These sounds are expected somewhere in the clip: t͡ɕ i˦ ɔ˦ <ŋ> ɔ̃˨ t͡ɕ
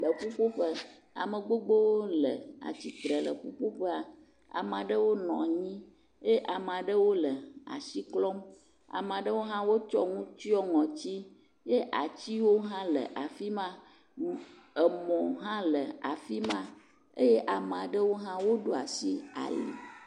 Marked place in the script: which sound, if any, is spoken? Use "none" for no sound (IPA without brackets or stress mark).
ŋ